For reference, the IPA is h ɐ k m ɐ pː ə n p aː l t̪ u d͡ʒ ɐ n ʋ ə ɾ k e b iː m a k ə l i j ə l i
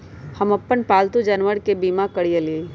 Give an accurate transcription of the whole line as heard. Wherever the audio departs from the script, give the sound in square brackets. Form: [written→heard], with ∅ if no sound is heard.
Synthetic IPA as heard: h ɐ [k→∅] m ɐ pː ə n p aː l t̪ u d͡ʒ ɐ n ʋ ə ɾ k e b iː m a k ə [l→ɽ] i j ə l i